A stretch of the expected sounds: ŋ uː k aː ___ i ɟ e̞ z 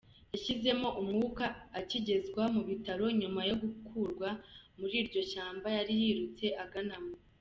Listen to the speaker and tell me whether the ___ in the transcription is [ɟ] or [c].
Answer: c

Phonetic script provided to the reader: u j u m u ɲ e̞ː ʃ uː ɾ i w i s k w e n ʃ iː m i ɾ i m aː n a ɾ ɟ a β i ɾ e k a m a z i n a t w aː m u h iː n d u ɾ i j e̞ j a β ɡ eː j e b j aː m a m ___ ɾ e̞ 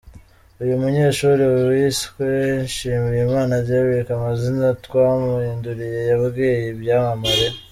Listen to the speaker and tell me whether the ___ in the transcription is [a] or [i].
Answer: a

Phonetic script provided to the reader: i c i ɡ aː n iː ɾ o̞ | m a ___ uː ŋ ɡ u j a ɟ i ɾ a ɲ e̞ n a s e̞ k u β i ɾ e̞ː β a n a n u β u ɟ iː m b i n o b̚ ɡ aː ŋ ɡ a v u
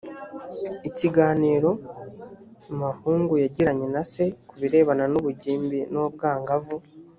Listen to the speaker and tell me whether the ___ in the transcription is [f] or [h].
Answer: h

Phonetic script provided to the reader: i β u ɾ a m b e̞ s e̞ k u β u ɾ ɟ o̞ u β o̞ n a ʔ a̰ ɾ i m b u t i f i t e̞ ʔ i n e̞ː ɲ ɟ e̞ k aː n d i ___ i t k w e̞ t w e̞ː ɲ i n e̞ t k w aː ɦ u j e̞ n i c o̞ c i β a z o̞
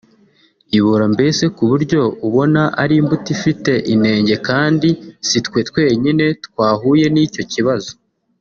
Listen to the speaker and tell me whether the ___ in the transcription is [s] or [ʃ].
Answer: s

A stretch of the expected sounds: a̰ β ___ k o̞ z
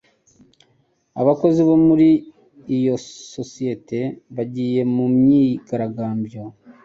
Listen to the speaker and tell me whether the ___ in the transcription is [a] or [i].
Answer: a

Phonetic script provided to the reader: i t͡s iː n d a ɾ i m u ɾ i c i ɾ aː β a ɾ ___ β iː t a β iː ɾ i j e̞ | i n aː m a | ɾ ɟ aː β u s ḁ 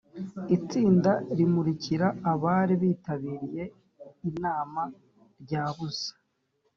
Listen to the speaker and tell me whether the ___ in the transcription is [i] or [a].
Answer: i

